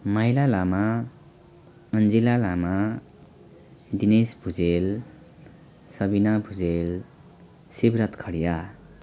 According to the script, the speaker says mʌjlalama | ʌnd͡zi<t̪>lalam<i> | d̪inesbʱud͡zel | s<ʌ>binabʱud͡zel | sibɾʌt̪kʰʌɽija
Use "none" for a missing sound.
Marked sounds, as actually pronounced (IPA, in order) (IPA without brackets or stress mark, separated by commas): none, a, ʌ